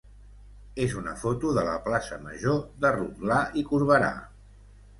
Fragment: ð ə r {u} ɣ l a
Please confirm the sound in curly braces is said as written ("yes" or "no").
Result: yes